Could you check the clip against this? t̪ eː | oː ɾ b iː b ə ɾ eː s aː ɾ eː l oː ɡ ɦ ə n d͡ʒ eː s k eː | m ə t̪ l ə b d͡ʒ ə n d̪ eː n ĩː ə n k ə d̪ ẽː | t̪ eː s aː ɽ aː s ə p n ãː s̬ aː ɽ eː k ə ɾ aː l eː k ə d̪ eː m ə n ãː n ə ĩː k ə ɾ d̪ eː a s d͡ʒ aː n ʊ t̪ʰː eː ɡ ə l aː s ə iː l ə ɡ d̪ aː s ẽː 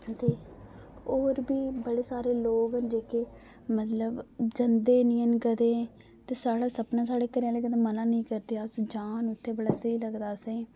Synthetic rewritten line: t̪ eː | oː ɾ b iː b ə ɽ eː s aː ɾ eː l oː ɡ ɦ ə n d͡ʒ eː k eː | m ə t̪ l ə b d͡ʒ ə n d̪ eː n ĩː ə n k ə d̪ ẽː | t̪ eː s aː ɽ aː s ə p n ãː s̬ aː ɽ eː k ə ɾ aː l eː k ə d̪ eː m ə n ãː n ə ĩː k ə ɾ d̪ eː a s d͡ʒ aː n ʊ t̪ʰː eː b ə ɽ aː s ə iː l ə ɡ d̪ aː s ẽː

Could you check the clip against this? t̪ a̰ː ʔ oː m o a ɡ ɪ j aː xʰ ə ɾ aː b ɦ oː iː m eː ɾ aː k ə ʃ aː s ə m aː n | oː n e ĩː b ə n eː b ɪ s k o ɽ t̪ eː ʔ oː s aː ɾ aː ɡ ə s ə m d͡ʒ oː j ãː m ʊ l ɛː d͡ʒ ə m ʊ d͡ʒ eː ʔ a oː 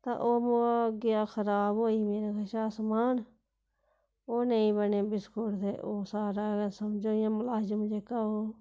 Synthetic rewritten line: t̪ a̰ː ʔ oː m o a ɡ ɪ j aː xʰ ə ɾ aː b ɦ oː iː m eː ɾ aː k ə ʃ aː s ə m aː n | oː n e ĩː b ə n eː b ɪ s k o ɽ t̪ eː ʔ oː s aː ɾ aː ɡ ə s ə m d͡ʒ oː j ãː m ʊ l aː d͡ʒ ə m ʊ d͡ʒ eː k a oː

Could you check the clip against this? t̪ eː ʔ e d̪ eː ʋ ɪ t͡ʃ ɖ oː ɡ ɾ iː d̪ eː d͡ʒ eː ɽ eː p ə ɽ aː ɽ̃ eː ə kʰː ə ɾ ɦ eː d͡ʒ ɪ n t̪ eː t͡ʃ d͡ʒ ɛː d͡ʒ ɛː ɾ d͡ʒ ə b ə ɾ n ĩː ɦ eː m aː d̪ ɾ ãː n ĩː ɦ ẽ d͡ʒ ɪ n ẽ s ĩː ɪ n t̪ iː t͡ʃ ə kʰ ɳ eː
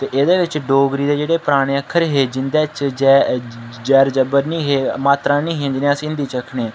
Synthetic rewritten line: t̪ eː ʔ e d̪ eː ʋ ɪ t͡ʃ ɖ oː ɡ ɾ iː d̪ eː d͡ʒ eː ɽ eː p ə ɾ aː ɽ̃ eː ə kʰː ə ɾ ɦ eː d͡ʒ ɪ n d̪ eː t͡ʃ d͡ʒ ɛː d͡ʒ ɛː ɾ d͡ʒ ə b ə ɾ n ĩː ɦ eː m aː t̪ ɾ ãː n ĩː ɦ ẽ d͡ʒ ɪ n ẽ s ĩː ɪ n d̪ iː t͡ʃ ə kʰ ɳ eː

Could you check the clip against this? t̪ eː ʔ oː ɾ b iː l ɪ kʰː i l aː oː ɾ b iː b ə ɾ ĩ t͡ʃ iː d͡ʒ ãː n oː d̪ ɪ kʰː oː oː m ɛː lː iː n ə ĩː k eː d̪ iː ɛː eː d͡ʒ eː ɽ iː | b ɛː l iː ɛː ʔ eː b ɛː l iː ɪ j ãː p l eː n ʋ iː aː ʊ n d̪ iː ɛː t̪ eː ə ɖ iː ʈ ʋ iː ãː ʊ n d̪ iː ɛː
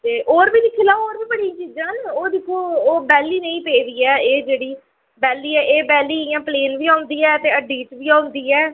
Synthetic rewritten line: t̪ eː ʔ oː ɾ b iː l ɪ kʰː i l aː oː ɾ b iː b ə ɽ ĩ t͡ʃ iː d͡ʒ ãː n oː d̪ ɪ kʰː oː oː b ɛː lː iː n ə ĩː p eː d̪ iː ɛː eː d͡ʒ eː ɽ iː | b ɛː l iː ɛː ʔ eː b ɛː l iː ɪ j ãː p l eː n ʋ iː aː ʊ n d̪ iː ɛː t̪ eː ə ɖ iː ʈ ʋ iː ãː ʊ n d̪ iː ɛː

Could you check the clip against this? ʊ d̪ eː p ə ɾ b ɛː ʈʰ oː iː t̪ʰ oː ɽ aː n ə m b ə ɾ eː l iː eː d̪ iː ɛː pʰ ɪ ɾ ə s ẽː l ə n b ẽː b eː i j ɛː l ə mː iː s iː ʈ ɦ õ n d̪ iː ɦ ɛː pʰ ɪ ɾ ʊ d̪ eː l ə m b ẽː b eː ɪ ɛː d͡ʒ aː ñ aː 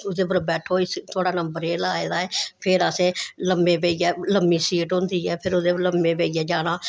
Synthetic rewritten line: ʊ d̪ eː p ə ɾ b ɛː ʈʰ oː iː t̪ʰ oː ɽ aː n ə m b ə ɾ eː l aː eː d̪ aː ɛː pʰ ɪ ɾ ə s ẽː l ə m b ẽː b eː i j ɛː l ə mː iː s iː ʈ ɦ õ n d̪ iː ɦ ɛː pʰ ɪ ɾ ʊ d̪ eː l ə m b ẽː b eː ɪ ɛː d͡ʒ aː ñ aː

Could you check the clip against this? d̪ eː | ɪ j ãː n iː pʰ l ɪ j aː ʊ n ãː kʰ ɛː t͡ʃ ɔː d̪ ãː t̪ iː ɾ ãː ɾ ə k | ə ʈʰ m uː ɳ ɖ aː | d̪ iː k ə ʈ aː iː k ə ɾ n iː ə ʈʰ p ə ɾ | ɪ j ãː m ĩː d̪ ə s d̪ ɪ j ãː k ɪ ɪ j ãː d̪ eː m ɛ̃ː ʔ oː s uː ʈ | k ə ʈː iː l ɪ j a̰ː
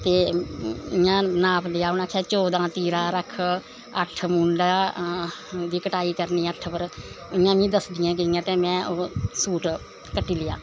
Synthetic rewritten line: t̪ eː | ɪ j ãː n aː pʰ l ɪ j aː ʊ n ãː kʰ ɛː t͡ʃ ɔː d̪ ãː t̪ iː ɾ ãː ɾ ə kʰ | ə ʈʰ m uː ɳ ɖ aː | d̪ iː k ə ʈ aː iː k ə ɾ n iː ə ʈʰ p ə ɾ | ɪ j ãː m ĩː d̪ ə s d̪ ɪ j ãː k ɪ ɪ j ãː t̪ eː m ɛ̃ː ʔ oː s uː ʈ | k ə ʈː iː l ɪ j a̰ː

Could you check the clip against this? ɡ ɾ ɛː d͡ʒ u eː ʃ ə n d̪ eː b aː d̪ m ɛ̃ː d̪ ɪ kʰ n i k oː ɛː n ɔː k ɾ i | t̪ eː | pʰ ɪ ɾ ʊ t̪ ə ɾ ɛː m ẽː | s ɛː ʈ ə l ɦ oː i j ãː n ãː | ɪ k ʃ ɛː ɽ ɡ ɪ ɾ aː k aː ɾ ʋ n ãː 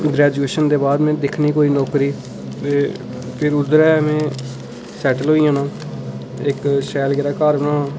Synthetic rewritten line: ɡ ɾ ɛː d͡ʒ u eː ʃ ə n d̪ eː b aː d̪ m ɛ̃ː d̪ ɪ kʰ n iː k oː iː n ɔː k ɾ iː | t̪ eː | pʰ ɪ ɾ ʊ d̪ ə ɾ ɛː m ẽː | s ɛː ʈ ə l ɦ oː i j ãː n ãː | ɪ k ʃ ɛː l ɡ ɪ ɾ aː k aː ɾ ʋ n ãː

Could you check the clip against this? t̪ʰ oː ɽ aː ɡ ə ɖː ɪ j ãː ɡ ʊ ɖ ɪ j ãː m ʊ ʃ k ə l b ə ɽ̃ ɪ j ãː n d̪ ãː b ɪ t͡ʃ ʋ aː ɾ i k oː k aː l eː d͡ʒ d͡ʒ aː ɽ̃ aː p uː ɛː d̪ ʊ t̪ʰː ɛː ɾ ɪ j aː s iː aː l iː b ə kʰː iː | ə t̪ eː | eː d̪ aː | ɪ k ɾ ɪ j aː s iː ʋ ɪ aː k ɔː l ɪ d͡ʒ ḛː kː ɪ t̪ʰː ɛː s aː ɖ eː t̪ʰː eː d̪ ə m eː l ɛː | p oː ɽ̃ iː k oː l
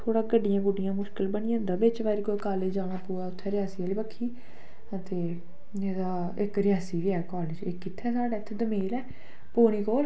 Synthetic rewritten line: t̪ʰ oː ɽ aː ɡ ə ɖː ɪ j ãː ɡ ʊ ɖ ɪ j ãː m ʊ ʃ k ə l b ə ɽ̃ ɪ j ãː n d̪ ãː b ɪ t͡ʃ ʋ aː ɾ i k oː k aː l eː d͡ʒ d͡ʒ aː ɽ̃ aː p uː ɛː ʊ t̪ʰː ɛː ɾ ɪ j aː s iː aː l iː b ə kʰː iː | ə t̪ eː | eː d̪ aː | ɪ k ɾ ɪ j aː s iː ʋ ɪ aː k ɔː l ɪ d͡ʒ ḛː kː ɪ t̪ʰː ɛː s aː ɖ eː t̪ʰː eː d̪ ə m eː l ɛː | p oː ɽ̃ iː k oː l

